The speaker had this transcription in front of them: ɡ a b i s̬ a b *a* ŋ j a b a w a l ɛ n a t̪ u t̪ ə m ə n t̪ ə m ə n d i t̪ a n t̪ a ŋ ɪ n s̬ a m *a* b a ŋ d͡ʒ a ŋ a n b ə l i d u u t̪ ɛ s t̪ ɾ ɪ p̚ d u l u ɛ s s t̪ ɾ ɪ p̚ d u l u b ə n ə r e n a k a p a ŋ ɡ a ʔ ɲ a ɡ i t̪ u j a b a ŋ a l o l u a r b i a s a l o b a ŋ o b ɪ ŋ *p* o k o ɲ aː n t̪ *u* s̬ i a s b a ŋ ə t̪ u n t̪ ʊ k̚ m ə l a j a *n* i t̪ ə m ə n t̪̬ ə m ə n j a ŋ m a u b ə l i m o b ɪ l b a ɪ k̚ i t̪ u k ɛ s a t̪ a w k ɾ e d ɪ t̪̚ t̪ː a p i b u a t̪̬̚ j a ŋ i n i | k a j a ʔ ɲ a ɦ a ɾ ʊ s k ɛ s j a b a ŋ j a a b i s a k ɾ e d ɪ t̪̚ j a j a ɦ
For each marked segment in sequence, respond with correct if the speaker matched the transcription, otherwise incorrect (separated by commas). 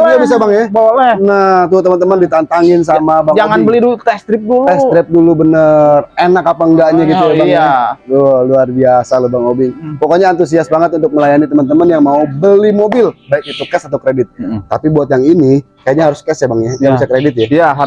correct, correct, correct, correct, correct